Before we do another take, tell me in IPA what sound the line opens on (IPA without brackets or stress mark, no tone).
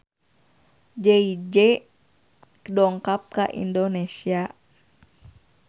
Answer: d͡ʒ